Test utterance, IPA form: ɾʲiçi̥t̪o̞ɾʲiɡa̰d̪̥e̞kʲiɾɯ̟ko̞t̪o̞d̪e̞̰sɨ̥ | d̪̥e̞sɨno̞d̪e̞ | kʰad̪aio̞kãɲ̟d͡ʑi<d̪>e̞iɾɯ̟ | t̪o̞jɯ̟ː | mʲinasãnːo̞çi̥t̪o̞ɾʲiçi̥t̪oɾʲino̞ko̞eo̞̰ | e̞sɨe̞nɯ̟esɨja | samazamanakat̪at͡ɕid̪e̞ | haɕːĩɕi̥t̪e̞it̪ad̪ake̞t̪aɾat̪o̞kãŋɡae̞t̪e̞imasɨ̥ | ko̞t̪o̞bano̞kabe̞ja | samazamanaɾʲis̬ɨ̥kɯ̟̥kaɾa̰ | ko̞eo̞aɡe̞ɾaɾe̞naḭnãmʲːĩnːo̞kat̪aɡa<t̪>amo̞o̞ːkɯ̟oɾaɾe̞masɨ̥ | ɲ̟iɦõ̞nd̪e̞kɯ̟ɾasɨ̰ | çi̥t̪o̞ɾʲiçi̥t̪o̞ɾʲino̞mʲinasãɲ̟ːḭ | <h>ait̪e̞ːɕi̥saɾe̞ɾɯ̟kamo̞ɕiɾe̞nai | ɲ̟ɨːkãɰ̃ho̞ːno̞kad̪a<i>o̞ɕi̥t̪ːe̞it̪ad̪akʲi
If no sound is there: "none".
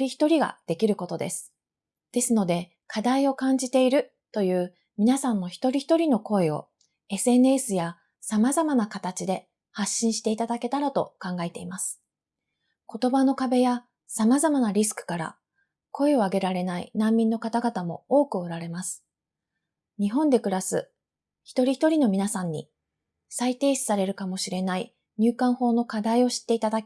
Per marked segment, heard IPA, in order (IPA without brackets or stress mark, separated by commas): t̪, t̪, s, i